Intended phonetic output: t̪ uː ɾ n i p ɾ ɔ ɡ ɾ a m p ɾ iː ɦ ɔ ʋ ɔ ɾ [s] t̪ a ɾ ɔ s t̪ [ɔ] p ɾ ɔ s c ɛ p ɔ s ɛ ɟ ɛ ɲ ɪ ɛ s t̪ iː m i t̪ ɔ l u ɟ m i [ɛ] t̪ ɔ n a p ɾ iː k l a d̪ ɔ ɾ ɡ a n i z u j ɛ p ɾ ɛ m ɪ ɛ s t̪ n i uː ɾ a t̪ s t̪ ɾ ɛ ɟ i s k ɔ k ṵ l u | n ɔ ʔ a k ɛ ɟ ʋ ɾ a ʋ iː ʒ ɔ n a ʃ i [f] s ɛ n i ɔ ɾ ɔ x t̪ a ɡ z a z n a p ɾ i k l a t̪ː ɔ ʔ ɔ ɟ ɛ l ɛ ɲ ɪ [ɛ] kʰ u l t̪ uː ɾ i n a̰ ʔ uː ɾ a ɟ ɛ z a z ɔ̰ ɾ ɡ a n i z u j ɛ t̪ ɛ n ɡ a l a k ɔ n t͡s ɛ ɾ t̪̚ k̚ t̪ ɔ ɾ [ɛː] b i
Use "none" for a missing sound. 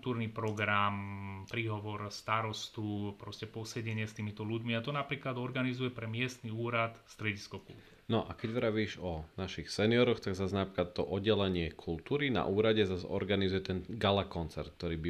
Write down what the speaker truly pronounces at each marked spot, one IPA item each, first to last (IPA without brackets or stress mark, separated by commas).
s, u, a, x, ɛ, iː